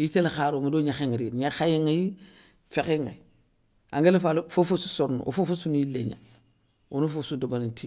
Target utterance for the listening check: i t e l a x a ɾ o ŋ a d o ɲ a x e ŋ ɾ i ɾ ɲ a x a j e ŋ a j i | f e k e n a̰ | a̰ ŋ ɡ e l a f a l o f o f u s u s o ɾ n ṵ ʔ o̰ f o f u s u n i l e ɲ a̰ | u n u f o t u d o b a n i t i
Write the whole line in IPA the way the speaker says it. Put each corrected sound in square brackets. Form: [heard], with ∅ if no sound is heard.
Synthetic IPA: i t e l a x a ɾ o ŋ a d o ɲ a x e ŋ ɾ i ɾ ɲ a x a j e ŋ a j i | f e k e [ŋ] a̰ | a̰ ŋ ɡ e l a f a l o f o f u s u s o ɾ n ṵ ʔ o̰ f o f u s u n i l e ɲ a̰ | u n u f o [s] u d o b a n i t i

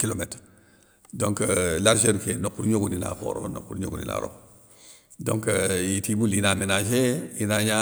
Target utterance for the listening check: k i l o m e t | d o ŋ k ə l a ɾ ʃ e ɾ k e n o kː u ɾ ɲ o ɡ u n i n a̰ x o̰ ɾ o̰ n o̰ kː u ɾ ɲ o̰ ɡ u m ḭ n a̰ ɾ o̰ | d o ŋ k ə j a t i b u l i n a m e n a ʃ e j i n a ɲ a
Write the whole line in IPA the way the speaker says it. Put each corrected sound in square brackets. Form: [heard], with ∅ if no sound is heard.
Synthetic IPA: k i l o m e t | d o ŋ k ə l a ɾ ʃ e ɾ k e n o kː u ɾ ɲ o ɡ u n i n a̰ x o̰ ɾ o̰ n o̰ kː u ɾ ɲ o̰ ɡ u [n] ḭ n a̰ ɾ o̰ | d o ŋ k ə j [i] t i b u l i n a m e n a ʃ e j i n a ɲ a

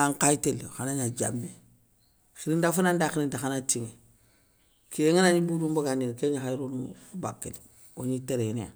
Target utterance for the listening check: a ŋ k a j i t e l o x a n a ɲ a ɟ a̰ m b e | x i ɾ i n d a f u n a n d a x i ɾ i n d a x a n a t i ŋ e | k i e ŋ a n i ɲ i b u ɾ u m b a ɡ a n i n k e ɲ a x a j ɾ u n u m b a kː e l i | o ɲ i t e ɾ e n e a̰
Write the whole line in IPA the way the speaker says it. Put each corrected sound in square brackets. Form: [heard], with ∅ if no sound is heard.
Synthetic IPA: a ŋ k a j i t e l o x a n a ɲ a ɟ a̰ m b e | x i ɾ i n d a f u n a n d a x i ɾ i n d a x a n a t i ŋ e | k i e ŋ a n [a] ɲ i b u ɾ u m b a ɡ a n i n k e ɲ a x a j ɾ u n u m b a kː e l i | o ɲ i t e ɾ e n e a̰

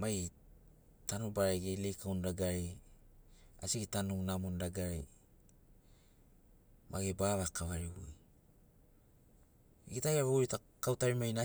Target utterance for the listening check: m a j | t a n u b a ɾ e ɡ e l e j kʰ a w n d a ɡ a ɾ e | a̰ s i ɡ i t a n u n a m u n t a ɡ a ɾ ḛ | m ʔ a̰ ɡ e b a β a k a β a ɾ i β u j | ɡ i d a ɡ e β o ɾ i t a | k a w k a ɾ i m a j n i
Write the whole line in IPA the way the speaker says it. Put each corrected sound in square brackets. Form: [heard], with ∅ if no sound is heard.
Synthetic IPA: m a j | t a n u b a ɾ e ɡ e l e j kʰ a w n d a ɡ a ɾ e | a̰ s i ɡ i t a n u n a m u n [d] a ɡ a ɾ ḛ | m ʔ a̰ ɡ e b a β a k a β a ɾ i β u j | ɡ i [t] a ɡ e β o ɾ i t a | k a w [t] a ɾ i m a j n [a]

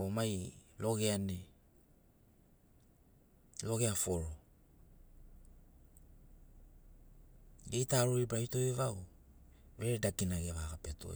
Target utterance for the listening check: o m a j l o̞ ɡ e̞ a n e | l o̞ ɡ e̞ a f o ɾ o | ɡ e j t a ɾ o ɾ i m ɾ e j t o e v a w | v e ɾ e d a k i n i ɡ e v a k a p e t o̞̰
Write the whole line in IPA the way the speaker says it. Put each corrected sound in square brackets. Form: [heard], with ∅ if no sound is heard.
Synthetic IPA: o m a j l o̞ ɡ e̞ a n e | l o̞ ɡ e̞ a f o ɾ o | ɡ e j t a ɾ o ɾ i [b] ɾ [a] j t o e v a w | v e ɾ e d a k i n [a] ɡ e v a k a p e t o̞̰

